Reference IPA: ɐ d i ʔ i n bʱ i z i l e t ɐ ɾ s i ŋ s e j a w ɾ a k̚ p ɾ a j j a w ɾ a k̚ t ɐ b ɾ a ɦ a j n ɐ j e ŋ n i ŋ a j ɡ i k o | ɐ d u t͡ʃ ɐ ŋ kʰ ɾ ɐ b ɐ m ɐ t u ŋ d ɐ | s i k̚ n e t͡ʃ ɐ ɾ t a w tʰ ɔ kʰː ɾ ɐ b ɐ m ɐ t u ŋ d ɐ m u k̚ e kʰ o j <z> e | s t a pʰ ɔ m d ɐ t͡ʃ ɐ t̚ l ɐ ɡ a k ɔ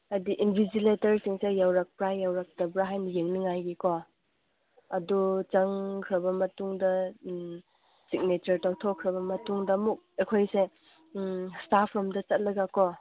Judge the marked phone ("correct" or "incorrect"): incorrect